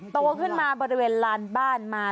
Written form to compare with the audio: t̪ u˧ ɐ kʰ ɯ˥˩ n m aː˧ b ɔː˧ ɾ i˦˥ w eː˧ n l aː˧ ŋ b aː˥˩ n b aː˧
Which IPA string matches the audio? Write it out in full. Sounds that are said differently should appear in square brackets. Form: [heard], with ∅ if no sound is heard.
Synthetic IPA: t̪ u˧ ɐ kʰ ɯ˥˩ n m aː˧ b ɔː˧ ɾ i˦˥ w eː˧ n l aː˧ [n] b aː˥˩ n [m] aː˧